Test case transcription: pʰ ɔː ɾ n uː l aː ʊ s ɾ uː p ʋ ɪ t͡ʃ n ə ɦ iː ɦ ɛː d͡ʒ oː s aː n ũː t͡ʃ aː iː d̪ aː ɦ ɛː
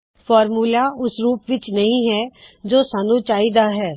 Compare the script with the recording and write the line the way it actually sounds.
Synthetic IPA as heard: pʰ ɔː ɾ m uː l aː ʊ s ɾ uː p ʋ ɪ t͡ʃ n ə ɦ ĩː ɦ ɛː d͡ʒ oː s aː n ũː t͡ʃ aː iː d̪ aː ɦ ɛː